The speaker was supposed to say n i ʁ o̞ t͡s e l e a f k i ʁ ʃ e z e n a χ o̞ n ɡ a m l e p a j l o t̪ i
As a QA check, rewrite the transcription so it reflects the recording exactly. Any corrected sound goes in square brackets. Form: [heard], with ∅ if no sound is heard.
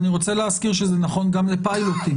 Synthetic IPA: n i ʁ o̞ t͡s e l e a [s] k i ʁ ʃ e z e n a χ o̞ n ɡ a m l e p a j l o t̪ i